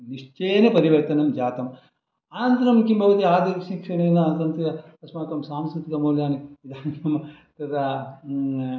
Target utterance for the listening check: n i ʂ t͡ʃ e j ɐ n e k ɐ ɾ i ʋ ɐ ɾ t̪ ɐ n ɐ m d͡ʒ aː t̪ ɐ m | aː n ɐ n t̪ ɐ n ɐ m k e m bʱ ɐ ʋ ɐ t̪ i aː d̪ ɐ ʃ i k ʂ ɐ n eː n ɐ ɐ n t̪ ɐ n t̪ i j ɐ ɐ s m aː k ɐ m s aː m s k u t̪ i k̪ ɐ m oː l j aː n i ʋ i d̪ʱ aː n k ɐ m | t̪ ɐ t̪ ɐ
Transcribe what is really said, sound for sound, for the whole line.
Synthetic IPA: n i ʂ t͡ʃ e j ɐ n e p ɐ ɾ i ʋ ɐ ɾ t̪ ɐ n ɐ m d͡ʒ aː t̪ ɐ m | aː n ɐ n t̪ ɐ n ɐ m k i m bʱ ɐ ʋ ɐ t̪ i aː d̪ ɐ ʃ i k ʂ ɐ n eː n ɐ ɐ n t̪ ɐ n t̪ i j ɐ ɐ s m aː k ɐ m s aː m s k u t̪ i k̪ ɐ m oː l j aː n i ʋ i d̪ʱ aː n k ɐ m | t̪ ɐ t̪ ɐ